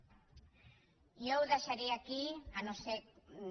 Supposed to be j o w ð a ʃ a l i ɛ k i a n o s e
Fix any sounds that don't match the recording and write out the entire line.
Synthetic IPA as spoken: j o w ð a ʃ a ɾ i a k i a n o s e